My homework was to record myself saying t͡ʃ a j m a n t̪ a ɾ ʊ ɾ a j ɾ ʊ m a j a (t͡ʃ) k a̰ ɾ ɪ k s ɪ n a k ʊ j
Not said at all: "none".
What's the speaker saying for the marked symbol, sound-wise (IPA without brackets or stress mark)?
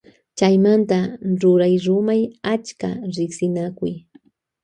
t͡ʃ